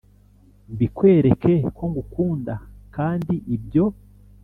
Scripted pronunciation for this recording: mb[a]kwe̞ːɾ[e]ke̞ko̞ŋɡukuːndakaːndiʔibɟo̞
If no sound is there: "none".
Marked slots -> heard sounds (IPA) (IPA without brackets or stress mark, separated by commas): i, e